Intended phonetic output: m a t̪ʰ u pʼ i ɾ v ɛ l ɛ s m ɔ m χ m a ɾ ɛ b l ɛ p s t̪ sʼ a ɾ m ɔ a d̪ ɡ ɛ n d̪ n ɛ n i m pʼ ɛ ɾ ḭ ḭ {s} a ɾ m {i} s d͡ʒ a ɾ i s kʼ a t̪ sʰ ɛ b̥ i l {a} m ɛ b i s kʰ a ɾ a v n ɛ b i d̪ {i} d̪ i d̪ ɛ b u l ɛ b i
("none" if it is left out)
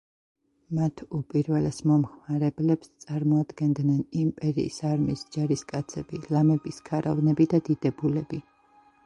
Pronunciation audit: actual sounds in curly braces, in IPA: s, i, a, a

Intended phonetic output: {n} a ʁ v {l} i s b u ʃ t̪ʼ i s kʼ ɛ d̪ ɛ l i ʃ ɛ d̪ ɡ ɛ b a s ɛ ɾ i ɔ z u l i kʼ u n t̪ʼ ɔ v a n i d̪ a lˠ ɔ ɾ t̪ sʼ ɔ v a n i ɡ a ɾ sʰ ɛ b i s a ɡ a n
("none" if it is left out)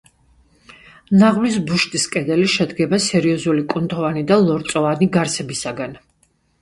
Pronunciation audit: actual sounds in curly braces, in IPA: n, l

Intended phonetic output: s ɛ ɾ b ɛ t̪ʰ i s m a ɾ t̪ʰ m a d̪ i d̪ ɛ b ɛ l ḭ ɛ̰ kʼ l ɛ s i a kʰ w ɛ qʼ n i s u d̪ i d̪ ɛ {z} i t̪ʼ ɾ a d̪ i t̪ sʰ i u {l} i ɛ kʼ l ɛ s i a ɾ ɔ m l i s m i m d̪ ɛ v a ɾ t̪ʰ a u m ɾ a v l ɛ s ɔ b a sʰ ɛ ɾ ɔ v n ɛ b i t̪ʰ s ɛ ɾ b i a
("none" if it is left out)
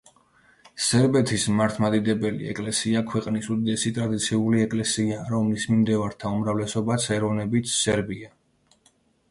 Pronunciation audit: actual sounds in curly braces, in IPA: s, l

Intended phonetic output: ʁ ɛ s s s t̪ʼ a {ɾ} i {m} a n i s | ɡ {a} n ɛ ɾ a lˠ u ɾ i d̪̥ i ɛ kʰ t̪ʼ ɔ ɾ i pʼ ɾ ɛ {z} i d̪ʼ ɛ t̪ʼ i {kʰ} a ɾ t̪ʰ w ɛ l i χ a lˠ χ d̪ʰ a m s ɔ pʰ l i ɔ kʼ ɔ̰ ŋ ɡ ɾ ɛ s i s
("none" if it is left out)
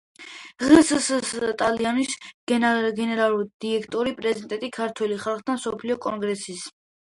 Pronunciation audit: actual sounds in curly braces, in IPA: l, none, ɛ, z, kʰ

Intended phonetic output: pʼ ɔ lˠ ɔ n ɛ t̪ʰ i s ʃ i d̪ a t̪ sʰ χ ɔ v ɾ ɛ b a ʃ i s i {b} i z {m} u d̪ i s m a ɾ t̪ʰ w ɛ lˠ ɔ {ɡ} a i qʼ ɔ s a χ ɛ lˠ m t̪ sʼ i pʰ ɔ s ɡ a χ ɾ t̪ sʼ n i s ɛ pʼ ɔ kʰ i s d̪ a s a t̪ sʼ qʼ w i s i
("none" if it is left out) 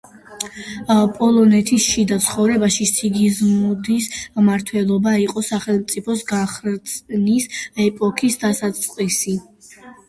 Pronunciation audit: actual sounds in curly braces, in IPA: ɡ, m, b

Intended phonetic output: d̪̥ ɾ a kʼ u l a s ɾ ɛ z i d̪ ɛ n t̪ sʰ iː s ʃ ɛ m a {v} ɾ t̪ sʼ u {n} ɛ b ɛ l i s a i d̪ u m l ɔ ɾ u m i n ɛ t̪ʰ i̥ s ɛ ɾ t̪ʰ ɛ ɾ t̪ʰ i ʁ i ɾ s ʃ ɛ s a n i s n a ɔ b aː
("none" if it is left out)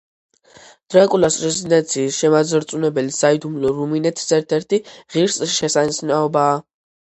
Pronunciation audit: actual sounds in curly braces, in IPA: z, n

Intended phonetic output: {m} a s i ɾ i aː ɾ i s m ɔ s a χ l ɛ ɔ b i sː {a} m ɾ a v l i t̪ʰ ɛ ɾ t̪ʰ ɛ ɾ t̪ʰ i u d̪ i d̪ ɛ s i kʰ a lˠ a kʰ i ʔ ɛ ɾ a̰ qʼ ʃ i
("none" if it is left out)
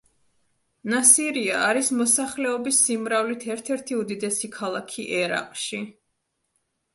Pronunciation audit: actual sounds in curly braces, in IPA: n, i

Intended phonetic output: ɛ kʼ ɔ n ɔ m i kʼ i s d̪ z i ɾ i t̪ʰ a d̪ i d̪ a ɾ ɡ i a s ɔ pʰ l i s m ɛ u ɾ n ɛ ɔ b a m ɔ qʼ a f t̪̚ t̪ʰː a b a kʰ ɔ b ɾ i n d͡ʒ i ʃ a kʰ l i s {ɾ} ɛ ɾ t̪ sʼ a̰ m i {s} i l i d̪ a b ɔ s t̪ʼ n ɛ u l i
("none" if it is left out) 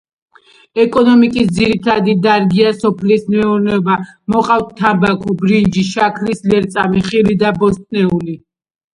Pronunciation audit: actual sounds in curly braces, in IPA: l, χ

